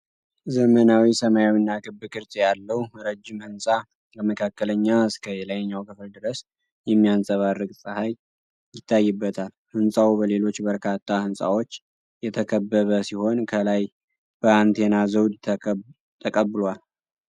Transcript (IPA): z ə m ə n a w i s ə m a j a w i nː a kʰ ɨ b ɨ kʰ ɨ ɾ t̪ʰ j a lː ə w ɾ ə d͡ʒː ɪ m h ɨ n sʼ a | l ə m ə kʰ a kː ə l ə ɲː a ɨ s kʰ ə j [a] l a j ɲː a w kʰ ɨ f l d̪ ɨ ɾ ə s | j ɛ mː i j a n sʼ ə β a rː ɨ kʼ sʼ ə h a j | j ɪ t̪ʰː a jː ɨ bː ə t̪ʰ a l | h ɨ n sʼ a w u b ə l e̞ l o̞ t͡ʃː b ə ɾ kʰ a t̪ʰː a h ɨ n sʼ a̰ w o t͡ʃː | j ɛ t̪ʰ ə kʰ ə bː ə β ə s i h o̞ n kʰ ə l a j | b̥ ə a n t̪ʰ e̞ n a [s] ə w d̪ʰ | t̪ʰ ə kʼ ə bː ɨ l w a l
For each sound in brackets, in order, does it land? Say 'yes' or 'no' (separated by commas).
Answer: no, no